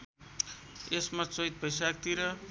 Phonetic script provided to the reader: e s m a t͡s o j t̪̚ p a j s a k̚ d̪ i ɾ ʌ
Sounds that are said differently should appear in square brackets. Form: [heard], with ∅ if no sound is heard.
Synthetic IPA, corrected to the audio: e s m a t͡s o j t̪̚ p [ʌ] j s a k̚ [t̪] i ɾ ʌ